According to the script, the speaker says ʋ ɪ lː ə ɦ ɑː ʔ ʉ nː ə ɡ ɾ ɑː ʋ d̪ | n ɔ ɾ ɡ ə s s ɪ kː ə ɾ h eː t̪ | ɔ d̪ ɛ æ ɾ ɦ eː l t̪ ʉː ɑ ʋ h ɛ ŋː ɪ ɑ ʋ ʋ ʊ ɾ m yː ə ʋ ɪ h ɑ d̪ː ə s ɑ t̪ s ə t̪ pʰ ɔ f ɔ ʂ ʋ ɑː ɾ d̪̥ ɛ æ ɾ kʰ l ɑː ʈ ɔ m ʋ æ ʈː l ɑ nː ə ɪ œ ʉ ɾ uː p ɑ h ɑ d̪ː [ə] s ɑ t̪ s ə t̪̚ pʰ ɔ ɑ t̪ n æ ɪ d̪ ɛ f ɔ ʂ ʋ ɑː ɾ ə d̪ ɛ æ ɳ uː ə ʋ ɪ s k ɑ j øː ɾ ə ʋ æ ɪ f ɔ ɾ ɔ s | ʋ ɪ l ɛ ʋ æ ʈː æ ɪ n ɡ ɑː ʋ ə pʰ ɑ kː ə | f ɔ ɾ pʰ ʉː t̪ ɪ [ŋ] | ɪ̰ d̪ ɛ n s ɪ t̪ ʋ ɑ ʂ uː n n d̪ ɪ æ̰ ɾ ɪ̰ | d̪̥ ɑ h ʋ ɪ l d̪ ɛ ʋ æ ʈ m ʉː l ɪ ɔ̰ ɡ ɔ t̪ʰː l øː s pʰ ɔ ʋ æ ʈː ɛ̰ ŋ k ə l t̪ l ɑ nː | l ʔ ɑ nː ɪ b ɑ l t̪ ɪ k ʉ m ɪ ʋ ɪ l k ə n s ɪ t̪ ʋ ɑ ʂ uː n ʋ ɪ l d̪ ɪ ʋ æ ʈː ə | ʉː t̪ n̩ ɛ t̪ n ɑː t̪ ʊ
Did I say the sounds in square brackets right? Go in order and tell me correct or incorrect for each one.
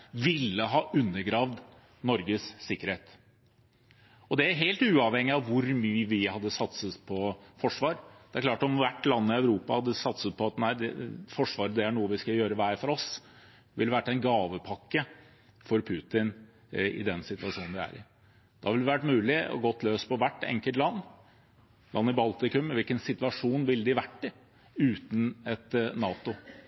correct, incorrect: n

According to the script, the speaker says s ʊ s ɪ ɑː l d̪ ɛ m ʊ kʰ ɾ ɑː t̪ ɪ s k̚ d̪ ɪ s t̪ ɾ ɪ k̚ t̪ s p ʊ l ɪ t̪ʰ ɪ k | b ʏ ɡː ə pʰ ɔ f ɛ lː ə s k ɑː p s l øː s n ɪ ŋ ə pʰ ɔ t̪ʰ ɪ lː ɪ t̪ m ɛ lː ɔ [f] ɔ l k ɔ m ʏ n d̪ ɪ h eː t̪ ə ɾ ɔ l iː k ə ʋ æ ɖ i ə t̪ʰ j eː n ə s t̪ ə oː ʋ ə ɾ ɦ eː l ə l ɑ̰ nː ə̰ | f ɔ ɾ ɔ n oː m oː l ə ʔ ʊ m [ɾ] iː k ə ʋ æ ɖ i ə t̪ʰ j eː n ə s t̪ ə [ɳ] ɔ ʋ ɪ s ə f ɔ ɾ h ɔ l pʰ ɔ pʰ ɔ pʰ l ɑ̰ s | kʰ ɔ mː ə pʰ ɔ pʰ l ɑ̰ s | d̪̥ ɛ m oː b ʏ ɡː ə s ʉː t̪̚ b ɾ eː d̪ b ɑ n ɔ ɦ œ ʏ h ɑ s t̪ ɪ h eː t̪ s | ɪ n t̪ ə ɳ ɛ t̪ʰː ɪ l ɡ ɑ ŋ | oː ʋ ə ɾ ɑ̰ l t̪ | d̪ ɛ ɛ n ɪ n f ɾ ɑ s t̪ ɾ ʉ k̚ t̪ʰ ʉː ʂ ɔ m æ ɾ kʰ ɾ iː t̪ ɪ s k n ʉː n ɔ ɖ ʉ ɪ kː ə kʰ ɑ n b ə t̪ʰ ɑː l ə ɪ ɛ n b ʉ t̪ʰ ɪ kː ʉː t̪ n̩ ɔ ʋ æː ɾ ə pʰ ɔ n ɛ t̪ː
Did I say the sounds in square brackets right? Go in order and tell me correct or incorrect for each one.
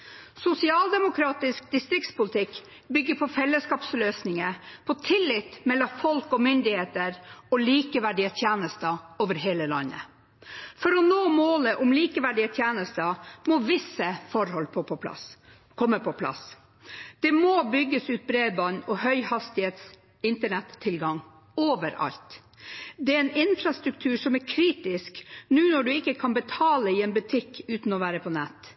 correct, incorrect: l, incorrect: m

